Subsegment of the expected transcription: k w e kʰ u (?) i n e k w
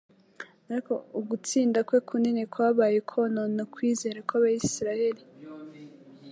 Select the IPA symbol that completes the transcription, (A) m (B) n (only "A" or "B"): B